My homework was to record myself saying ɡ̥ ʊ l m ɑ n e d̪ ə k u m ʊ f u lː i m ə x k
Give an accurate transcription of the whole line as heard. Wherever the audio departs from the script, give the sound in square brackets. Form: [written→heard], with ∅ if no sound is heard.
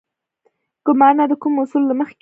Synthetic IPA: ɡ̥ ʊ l m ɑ n [e→a] d̪ ə k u m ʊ [f→s] u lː [i→a] m ə x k